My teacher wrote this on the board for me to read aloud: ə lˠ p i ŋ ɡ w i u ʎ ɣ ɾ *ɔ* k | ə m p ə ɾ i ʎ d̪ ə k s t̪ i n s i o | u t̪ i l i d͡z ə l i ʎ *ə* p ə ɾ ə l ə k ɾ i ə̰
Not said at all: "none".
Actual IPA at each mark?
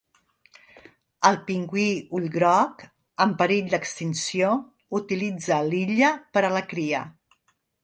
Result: ɔ, ə

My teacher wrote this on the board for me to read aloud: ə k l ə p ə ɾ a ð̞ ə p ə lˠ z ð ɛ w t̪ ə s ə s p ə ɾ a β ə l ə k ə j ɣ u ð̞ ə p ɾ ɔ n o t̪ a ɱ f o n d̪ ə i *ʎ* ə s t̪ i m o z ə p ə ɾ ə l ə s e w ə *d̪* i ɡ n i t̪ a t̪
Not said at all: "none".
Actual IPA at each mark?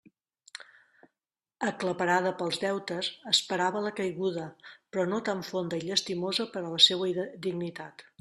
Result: ʎ, d̪

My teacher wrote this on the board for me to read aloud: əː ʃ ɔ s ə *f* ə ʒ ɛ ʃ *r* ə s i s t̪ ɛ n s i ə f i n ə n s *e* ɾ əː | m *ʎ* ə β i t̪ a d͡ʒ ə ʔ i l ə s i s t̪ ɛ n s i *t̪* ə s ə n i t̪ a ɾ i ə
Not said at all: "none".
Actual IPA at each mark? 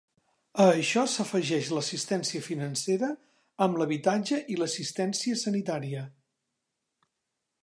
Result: f, l, e, l, none

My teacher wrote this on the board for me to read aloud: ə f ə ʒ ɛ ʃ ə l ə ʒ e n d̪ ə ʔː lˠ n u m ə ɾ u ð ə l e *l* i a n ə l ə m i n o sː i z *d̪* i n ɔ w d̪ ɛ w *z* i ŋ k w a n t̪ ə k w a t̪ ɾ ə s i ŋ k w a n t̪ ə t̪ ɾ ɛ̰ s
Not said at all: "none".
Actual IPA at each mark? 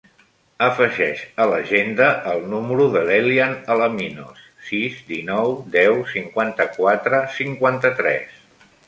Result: l, d̪, s

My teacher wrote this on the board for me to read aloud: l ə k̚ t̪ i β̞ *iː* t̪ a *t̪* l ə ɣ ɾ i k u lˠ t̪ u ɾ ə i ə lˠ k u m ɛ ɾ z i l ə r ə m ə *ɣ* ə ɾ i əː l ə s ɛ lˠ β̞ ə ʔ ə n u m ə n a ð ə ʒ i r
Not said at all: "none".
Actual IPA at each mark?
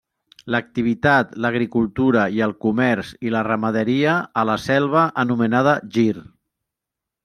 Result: i, t̪, ð

